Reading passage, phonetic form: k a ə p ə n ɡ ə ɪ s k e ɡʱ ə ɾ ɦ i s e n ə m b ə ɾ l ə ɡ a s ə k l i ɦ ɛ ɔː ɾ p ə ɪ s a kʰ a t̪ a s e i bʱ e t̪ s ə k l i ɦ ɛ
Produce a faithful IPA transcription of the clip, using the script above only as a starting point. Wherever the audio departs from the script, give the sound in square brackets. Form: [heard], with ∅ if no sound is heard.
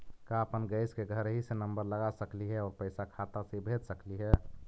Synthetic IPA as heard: k a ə p ə n ɡ ə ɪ s k e ɡʱ ə ɾ ɦ i s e n ə m b ə ɾ l ə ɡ a s ə k l i ɦ ɛ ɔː ɾ p ə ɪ s a kʰ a t̪ a s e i bʱ e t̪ s ə k l i ɦ ɛ